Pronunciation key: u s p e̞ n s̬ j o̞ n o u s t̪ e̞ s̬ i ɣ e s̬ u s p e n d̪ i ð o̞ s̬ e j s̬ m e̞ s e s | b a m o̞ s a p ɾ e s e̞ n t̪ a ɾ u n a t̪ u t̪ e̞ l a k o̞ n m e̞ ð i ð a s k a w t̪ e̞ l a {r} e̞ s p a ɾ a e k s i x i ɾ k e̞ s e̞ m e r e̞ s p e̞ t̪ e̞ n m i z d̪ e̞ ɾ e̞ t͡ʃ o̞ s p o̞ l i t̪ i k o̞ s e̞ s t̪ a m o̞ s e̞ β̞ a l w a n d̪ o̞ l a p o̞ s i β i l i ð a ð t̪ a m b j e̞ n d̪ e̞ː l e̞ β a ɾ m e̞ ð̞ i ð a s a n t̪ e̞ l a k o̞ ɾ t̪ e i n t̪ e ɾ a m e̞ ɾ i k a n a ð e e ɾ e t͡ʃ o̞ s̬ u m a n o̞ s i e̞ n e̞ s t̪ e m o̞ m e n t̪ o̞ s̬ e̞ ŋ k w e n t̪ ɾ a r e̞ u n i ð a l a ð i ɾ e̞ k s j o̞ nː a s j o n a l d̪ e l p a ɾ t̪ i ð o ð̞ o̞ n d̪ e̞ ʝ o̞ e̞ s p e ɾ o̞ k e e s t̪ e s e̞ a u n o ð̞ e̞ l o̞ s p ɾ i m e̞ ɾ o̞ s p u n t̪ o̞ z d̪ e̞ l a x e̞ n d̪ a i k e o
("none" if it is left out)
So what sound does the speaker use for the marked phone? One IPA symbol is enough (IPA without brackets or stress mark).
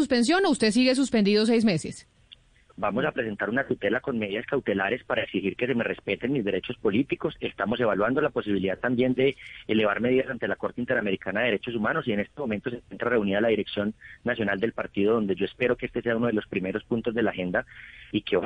ɾ